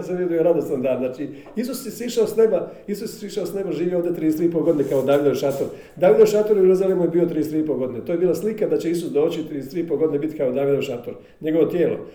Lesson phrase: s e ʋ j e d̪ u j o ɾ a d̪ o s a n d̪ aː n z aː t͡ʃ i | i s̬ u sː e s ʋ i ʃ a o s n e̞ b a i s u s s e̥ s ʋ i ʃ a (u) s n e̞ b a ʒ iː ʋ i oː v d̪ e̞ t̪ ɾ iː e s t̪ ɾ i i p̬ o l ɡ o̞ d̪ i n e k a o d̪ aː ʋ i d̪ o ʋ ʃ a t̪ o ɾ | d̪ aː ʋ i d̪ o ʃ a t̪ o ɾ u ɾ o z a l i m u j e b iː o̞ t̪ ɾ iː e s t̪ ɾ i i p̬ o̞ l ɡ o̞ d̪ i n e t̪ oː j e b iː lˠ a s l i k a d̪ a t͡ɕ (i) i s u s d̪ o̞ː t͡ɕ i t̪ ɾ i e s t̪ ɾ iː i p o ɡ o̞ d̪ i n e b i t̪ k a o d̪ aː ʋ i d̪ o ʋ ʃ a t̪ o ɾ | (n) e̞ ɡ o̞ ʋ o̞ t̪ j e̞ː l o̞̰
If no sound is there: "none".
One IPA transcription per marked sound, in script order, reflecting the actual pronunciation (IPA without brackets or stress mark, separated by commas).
o, e, ɲ